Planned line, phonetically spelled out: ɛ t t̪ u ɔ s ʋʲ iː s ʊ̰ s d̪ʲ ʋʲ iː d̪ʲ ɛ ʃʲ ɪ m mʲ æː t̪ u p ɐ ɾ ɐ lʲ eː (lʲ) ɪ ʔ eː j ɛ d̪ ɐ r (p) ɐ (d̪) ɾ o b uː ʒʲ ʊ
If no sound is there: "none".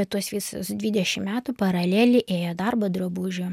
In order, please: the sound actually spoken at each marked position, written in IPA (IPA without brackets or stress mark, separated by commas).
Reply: lʲ, b, d̪